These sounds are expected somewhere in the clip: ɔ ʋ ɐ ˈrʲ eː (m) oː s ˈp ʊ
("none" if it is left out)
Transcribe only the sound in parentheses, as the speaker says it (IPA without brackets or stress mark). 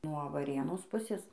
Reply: n